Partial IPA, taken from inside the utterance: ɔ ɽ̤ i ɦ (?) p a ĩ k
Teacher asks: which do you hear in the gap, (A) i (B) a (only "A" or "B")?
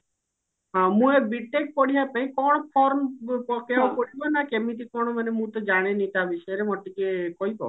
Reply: B